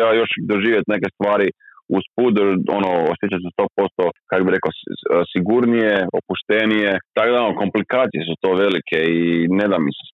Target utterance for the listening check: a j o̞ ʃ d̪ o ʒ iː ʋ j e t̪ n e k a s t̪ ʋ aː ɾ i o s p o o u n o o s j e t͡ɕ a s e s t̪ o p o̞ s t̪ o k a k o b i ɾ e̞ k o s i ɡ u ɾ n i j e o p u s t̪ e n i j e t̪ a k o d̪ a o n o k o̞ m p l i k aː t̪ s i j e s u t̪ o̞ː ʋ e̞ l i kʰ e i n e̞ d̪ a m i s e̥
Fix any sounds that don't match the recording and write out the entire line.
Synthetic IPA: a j o̞ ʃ d̪ o ʒ iː ʋ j e t̪ n e k e s t̪ ʋ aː ɾ i u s p u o o n o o s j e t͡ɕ a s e s t̪ o p o̞ s t̪ o k a k o b i ɾ e̞ k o s i ɡ u ɾ n i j e o p u ʃ t̪ e n i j e t̪ a k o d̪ a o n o k o̞ m p l i k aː t̪ s i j e s u t̪ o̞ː ʋ e̞ l i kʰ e i n e̞ d̪ a m i s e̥